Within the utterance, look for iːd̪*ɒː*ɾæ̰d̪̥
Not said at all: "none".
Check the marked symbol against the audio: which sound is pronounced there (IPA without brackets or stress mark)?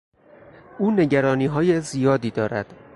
ɒː